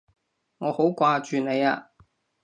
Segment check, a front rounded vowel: present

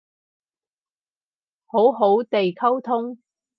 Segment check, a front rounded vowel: absent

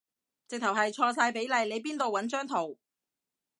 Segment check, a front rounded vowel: present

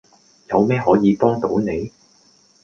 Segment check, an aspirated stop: absent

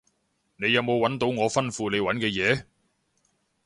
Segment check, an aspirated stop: absent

